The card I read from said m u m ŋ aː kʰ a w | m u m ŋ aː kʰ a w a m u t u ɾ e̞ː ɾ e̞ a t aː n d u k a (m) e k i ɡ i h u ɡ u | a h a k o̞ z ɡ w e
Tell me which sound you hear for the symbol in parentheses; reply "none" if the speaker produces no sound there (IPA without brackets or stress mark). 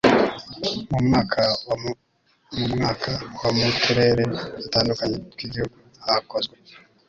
ɲ